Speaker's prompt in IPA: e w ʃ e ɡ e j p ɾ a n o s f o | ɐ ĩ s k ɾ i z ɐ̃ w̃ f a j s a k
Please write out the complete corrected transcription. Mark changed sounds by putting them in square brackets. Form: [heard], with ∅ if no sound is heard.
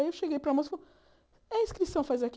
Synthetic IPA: e w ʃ e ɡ e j p ɾ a [m] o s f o | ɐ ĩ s k ɾ i [s] ɐ̃ w̃ f a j [z] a k

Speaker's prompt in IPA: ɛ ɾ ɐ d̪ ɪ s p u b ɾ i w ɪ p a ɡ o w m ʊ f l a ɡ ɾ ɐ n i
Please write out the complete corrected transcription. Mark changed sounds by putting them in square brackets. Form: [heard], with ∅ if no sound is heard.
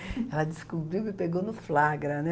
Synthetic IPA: ɛ [l] ɐ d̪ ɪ s [k] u b ɾ i w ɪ p [e] ɡ o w [n] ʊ f l a ɡ ɾ ɐ n [ɛ]

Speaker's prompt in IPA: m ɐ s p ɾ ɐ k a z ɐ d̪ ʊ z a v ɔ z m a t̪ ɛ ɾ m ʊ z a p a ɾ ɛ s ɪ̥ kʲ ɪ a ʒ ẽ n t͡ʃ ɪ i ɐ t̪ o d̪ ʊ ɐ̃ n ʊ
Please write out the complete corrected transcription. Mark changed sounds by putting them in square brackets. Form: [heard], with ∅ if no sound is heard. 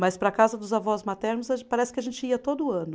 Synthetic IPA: m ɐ s p ɾ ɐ k a z ɐ d̪ ʊ z a v ɔ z m a t̪ ɛ ɾ [n] ʊ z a p a ɾ ɛ s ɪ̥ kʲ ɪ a ʒ ẽ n t͡ʃ ɪ i ɐ t̪ o d̪ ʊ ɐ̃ n ʊ

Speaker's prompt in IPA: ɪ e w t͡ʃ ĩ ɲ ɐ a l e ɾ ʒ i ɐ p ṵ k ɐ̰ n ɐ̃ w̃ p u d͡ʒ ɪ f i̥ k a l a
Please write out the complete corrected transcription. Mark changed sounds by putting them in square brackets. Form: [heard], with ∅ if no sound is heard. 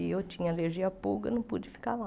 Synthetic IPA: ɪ e w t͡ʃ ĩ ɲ ɐ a l e ɾ ʒ i ɐ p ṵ [ɡ] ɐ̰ n ɐ̃ w̃ p u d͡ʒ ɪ f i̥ k a l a

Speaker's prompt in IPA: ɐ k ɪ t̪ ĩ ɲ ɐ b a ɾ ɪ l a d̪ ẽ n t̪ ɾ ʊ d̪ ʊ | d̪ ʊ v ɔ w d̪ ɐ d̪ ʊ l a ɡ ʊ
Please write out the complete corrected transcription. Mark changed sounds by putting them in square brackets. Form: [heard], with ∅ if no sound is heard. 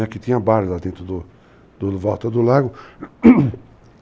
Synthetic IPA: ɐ k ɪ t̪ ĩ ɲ ɐ b a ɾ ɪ l a d̪ ẽ n t̪ ɾ ʊ d̪ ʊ | d̪ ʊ v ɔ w [t̪] ɐ d̪ ʊ l a ɡ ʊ

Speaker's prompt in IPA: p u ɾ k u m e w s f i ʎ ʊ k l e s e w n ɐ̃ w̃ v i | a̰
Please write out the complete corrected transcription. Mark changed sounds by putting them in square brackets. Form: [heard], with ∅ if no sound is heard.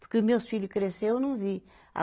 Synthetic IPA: p u ɾ k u m e w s f i ʎ [u] k [ɾ] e s e w n ɐ̃ w̃ v i | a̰

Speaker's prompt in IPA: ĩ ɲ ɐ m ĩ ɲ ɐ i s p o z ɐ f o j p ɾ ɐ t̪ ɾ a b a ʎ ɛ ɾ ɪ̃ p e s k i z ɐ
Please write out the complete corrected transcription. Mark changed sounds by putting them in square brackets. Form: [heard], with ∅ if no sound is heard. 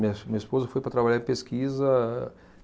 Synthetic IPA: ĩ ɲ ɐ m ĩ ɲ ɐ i s p o z ɐ f o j p ɾ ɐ t̪ ɾ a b a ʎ [a] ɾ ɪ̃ p e s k i z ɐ

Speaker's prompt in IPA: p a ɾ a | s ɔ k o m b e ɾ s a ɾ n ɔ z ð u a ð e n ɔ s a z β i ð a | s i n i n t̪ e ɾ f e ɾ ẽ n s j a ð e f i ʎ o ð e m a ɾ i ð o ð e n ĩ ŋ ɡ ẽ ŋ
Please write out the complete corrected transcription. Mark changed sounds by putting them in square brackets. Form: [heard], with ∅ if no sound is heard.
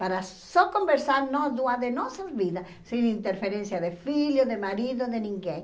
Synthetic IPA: p a ɾ a | s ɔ k o m b e ɾ s a ɾ n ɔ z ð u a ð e n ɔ s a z β i ð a | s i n i n t̪ e ɾ f e ɾ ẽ n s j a ð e f i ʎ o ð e m a ɾ i ð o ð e n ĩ ŋ ɡ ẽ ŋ

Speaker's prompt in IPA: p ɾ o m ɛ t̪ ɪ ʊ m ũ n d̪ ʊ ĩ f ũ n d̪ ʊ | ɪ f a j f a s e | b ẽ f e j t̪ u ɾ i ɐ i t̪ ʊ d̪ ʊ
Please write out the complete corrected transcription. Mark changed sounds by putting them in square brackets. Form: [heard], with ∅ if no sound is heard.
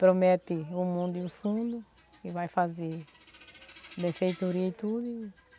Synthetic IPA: p ɾ o m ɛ t̪ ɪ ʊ m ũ n d̪ ʊ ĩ f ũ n d̪ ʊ | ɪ [v] a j f a [z] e | b ẽ f e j t̪ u ɾ i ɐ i t̪ [u] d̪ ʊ

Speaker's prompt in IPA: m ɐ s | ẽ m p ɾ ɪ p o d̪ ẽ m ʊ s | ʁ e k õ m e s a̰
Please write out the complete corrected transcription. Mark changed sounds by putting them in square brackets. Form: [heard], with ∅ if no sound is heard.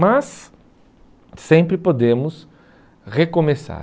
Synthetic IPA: m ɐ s | ẽ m p ɾ ɪ p o d̪ ẽ m ʊ s | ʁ e k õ m e s a̰

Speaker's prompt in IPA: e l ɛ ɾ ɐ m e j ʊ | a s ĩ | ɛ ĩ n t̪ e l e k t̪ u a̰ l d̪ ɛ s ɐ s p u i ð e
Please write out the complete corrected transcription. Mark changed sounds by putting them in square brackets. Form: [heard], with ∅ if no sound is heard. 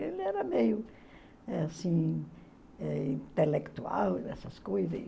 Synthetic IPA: e l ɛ ɾ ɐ m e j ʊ | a s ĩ | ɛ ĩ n t̪ e l e k t̪ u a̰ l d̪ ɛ s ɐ s [k] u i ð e

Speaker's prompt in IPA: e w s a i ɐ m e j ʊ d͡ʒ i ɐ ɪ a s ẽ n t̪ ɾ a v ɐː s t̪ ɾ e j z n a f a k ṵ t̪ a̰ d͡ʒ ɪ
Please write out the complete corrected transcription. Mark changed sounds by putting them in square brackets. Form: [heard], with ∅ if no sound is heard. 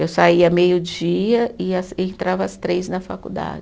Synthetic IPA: e w s a i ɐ m e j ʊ d͡ʒ i ɐ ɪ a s ẽ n t̪ ɾ a v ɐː s t̪ ɾ e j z n [ɐ] f a k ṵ [d̪] a̰ d͡ʒ ɪ

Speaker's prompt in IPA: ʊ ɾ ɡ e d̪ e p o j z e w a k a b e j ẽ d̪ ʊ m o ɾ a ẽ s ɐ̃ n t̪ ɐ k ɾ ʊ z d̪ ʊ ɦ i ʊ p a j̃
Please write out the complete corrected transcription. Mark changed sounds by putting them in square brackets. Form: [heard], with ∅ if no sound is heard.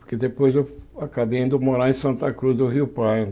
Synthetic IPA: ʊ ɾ [k] e d̪ e p o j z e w a k a b e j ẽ d̪ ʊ m o ɾ a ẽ s ɐ̃ n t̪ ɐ k ɾ [u] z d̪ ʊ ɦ i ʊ p a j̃

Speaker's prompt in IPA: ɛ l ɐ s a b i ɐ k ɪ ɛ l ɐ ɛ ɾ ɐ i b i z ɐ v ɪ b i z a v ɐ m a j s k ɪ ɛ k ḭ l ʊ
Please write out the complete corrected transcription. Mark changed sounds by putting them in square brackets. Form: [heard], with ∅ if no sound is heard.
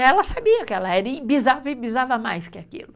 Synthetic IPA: ɛ l ɐ s a b i ɐ k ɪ ɛ l ɐ ɛ ɾ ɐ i b i z [a] v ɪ b i z a v ɐ m a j s k ɪ [a] k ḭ l ʊ

